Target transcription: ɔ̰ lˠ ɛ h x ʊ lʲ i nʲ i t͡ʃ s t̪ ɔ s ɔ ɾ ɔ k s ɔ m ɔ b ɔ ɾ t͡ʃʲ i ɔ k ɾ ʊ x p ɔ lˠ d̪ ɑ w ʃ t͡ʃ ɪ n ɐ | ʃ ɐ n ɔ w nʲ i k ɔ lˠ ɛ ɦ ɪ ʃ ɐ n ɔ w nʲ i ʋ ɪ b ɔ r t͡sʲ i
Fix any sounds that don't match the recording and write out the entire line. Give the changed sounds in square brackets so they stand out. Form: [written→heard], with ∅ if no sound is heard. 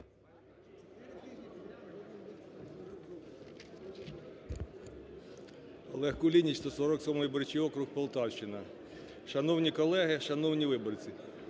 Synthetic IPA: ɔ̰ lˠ ɛ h [x→k] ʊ lʲ i nʲ i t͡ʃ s t̪ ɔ s ɔ ɾ ɔ k s ɔ m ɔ b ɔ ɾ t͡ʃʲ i ɔ k ɾ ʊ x p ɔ lˠ [d̪→t̪] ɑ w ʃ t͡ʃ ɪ n ɐ | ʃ ɐ n ɔ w nʲ i k ɔ lˠ ɛ ɦ ɪ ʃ ɐ n ɔ w nʲ i ʋ ɪ b ɔ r t͡sʲ i

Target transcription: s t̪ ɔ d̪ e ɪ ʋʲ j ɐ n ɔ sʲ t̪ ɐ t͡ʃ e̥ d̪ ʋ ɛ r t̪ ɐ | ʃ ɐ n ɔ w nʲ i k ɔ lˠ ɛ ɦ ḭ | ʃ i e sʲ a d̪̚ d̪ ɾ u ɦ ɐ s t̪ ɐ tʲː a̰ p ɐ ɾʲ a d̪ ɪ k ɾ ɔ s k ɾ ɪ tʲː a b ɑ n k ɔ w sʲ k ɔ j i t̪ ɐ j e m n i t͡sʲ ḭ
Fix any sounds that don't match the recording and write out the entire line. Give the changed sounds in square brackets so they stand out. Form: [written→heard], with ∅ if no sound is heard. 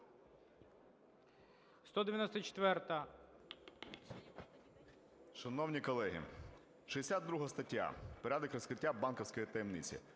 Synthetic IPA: s t̪ ɔ d̪ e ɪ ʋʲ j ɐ n ɔ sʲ t̪ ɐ t͡ʃ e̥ [d̪→t̪] ʋ ɛ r t̪ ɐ | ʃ ɐ n ɔ w nʲ i k ɔ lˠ ɛ ɦ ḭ | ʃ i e sʲ a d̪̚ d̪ ɾ u ɦ ɐ s t̪ ɐ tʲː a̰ p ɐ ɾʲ a d̪ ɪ k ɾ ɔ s k ɾ ɪ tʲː a b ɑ n k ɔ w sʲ k ɔ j i t̪ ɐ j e m n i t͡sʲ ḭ

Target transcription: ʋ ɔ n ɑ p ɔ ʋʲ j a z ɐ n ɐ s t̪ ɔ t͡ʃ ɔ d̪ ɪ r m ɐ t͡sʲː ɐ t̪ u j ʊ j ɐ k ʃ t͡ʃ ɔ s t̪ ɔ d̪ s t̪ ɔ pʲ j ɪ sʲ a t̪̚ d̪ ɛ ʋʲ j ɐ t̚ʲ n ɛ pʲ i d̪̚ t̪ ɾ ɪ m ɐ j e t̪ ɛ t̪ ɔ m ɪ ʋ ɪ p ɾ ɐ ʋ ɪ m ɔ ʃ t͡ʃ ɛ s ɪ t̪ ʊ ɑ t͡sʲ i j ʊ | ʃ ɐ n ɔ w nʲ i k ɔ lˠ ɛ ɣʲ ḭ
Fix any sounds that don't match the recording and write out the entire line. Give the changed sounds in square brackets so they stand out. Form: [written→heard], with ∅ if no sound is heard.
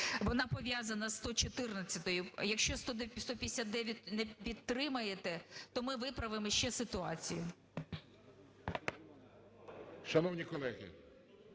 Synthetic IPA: ʋ ɔ n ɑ p ɔ ʋʲ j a z ɐ n ɐ s t̪ ɔ t͡ʃ ɔ [d̪→t̪] ɪ r [m→n] ɐ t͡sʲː ɐ t̪ [u→ɔ] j ʊ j ɐ k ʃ t͡ʃ ɔ s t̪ ɔ d̪ s t̪ ɔ pʲ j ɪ sʲ a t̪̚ d̪ ɛ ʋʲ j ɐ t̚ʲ n ɛ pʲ i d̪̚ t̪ ɾ ɪ m ɐ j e t̪ ɛ t̪ ɔ m ɪ ʋ ɪ p ɾ ɐ ʋ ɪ m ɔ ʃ t͡ʃ ɛ s ɪ t̪ ʊ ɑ t͡sʲ i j ʊ | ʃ ɐ n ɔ w nʲ i k ɔ lˠ ɛ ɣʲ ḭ

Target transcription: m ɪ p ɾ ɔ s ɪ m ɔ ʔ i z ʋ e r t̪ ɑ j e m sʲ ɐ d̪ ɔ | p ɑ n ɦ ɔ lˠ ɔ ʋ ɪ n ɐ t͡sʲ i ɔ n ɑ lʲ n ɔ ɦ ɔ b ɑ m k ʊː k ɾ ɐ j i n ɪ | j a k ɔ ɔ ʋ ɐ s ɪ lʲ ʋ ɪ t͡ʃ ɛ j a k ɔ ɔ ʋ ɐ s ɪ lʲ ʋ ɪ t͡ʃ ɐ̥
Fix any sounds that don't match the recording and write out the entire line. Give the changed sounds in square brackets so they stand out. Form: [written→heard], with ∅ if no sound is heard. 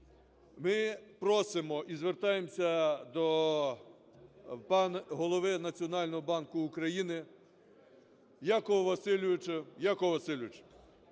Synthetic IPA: m ɪ p ɾ ɔ s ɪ m ɔ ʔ i z ʋ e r t̪ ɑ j e m sʲ ɐ d̪ ɔ | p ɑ n ɦ ɔ lˠ ɔ ʋ ɪ n ɐ t͡sʲ i ɔ n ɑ lʲ n ɔ ɦ ɔ b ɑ [m→n] k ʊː k ɾ ɐ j i n ɪ | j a k ɔ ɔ ʋ ɐ s ɪ lʲ ʋ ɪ t͡ʃ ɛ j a k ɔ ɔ ʋ ɐ s ɪ lʲ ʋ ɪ t͡ʃ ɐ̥

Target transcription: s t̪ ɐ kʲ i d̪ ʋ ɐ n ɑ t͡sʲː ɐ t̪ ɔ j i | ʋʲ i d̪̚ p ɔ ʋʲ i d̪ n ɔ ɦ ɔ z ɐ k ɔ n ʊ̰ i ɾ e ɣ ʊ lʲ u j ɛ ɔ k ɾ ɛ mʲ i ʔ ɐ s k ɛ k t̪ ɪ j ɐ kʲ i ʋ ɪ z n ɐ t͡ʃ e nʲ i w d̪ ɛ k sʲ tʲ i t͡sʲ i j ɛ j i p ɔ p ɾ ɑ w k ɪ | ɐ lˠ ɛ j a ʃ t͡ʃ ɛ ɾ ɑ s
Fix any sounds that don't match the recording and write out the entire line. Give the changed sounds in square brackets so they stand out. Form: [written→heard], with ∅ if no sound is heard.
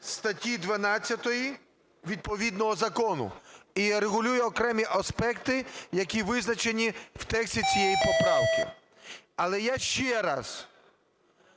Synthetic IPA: s t̪ ɐ [kʲ→tʲ] i d̪ ʋ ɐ n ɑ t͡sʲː ɐ t̪ ɔ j i | ʋʲ i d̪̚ p ɔ ʋʲ i d̪ n ɔ ɦ ɔ z ɐ k ɔ n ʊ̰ i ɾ e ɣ ʊ lʲ u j ɛ ɔ k ɾ ɛ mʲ i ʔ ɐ s [k→p] ɛ k t̪ ɪ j ɐ kʲ i ʋ ɪ z n ɐ t͡ʃ e nʲ i w [d̪→t̪] ɛ k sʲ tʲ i t͡sʲ i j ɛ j i p ɔ p ɾ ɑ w k ɪ | ɐ lˠ ɛ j a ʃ t͡ʃ ɛ ɾ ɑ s

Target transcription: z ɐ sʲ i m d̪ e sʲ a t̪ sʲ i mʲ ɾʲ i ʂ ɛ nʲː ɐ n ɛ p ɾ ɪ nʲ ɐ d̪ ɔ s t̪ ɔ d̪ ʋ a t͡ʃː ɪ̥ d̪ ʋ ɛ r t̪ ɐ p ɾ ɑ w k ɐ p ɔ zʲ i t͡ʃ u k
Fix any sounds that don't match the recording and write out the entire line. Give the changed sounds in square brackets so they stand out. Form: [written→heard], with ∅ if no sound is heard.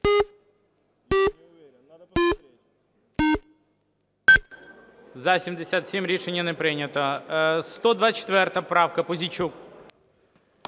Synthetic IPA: z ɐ sʲ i m d̪ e sʲ a t̪ sʲ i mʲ ɾʲ i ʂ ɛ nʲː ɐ n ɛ p ɾ ɪ nʲ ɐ [d̪→t̪] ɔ s t̪ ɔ d̪ ʋ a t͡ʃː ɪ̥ [d̪→t̪] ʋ ɛ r t̪ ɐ p ɾ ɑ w k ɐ p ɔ zʲ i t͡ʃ u k

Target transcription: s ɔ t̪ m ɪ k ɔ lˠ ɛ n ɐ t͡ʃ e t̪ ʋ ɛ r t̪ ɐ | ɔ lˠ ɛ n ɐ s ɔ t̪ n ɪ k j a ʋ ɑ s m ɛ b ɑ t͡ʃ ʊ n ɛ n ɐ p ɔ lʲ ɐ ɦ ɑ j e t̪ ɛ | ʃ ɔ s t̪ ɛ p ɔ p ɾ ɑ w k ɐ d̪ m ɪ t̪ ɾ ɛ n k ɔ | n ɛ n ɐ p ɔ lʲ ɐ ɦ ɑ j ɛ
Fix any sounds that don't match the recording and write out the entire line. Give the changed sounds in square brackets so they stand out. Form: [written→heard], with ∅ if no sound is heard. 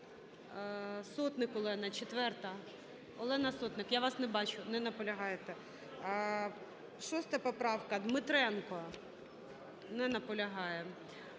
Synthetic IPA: s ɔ t̪ [m→n] ɪ k ɔ lˠ ɛ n ɐ t͡ʃ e t̪ ʋ ɛ r t̪ ɐ | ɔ lˠ ɛ n ɐ s ɔ t̪ n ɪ k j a ʋ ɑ s [m→n] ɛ b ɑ t͡ʃ ʊ n ɛ n ɐ p ɔ lʲ ɐ ɦ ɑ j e t̪ ɛ | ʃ ɔ s t̪ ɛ p ɔ p ɾ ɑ w k ɐ d̪ m ɪ t̪ ɾ ɛ n k ɔ | n ɛ n ɐ p ɔ lʲ ɐ ɦ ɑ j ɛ

